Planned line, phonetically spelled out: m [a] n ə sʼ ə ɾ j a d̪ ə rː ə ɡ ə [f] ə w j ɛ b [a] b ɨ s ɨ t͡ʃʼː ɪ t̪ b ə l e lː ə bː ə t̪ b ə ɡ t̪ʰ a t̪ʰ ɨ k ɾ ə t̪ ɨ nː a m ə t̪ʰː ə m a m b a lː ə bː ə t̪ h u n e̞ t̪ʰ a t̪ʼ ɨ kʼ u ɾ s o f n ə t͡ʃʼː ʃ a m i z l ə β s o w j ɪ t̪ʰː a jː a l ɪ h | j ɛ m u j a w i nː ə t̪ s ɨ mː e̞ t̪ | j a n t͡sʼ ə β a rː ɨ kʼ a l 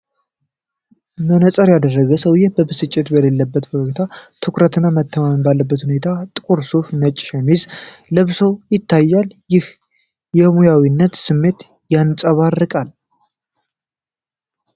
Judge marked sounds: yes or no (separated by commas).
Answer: no, no, no